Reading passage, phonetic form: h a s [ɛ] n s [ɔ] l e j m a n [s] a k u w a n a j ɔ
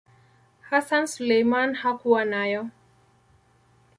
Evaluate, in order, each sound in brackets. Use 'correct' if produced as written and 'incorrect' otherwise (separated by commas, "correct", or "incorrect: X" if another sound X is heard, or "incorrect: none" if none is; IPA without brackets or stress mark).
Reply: incorrect: a, incorrect: u, incorrect: h